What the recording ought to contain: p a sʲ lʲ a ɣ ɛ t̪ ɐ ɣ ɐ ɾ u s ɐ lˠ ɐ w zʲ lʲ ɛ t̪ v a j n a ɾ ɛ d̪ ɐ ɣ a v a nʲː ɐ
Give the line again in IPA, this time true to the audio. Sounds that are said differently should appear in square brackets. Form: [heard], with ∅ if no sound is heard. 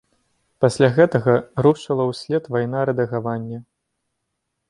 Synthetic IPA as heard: p a sʲ lʲ a ɣ ɛ t̪ ɐ ɣ ɐ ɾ u [ʂ] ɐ lˠ ɐ w [sʲ] lʲ ɛ t̪ v a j n a ɾ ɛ d̪ ɐ ɣ a v a nʲː ɐ